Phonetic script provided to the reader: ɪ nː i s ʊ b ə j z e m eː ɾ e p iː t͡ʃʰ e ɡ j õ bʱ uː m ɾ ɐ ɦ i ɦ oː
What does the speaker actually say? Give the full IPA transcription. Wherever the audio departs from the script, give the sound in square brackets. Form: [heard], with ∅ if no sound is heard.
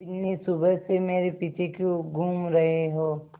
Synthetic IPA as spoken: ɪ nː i s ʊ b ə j [s] e m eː ɾ e p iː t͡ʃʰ e [k] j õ [ɡʱ] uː m ɾ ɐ ɦ [e] ɦ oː